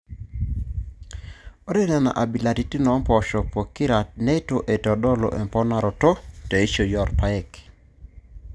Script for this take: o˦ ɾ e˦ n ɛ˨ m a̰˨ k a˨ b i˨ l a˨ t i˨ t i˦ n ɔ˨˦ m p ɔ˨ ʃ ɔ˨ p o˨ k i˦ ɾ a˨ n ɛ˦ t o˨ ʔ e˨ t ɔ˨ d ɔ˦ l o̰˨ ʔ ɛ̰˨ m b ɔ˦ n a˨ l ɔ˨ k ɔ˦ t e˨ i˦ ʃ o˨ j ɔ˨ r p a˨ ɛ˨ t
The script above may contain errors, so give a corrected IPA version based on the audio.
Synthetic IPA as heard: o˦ ɾ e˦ n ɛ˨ n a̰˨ ʔ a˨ b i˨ l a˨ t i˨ t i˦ n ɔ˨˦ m p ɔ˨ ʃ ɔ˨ p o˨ k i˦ ɾ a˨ n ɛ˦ t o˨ ʔ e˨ t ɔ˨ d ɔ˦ l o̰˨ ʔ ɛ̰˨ m p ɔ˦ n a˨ ɾ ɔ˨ t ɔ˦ t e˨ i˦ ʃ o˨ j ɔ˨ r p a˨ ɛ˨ k